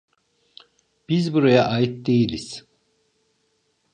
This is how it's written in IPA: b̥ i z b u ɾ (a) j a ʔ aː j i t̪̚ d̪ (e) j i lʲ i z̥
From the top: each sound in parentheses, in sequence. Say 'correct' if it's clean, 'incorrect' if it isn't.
correct, correct

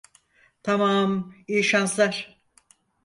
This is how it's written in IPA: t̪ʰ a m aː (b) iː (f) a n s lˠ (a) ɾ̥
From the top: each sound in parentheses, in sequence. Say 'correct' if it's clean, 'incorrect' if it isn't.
incorrect, incorrect, correct

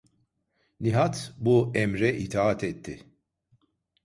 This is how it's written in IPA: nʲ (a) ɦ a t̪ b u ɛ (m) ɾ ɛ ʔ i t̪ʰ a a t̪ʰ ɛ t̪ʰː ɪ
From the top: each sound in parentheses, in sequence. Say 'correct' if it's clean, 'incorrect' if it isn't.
incorrect, correct

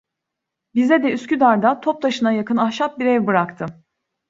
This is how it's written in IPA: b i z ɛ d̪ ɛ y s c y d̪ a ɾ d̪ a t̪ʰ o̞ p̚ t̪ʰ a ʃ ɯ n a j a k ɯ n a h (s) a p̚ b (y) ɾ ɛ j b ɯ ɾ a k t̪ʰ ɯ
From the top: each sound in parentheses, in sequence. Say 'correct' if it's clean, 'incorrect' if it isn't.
incorrect, incorrect

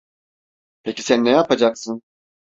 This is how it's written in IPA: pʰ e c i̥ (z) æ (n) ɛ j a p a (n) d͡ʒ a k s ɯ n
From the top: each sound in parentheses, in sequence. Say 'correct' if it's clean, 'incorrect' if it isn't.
incorrect, incorrect, incorrect

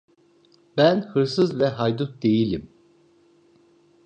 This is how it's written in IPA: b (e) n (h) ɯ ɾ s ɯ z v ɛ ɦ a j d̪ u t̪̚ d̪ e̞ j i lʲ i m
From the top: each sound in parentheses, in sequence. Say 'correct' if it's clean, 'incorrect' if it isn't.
incorrect, correct

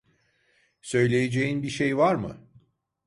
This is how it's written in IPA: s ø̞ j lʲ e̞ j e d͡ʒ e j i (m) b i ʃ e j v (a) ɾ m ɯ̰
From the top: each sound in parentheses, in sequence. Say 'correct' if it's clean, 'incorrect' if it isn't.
incorrect, correct

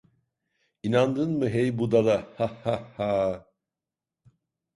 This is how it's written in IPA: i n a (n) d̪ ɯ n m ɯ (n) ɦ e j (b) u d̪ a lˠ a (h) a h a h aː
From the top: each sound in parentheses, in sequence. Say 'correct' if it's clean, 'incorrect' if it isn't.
correct, incorrect, correct, correct

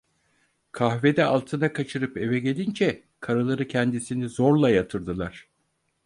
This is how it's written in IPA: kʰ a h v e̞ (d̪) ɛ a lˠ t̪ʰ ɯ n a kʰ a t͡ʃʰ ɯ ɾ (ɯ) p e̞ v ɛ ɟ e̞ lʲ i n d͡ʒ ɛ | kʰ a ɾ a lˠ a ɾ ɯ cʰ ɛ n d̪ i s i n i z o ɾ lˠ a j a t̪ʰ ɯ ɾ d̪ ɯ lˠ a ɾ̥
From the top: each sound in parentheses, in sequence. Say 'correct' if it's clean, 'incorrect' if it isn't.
correct, correct

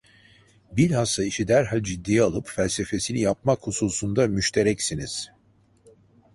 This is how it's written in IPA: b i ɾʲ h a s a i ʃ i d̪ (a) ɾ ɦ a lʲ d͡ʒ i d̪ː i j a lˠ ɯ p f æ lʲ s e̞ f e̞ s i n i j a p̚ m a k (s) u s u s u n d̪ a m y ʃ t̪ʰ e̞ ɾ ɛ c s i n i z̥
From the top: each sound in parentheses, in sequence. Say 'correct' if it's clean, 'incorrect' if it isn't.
incorrect, incorrect

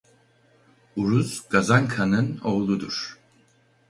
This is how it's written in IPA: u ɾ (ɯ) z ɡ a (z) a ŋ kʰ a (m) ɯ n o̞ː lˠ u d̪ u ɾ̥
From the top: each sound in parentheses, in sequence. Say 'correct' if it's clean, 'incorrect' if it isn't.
incorrect, correct, incorrect

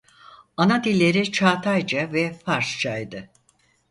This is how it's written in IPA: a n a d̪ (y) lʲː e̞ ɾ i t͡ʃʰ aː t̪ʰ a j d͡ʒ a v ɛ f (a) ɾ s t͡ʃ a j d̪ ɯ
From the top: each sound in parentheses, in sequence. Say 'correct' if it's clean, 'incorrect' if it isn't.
incorrect, correct

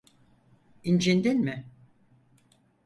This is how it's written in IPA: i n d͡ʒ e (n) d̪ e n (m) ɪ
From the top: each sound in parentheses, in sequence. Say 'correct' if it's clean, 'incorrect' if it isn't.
correct, correct

